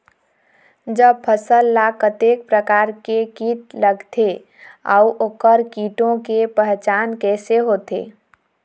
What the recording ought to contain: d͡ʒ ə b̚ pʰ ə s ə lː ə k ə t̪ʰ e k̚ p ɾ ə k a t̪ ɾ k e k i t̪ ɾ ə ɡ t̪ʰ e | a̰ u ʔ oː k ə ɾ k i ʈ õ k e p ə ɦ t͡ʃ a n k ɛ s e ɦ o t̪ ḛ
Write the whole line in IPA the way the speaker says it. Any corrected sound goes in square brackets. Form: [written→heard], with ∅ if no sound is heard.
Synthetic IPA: d͡ʒ ə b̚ pʰ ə s ə lː [ə→a] k ə [t̪ʰ→t̪] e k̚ p ɾ ə k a [t̪→∅] ɾ k e k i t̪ [ɾ→l] ə ɡ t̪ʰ e | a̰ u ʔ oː k ə ɾ k i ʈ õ k e p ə ɦ t͡ʃ a n k ɛ s e ɦ o t̪ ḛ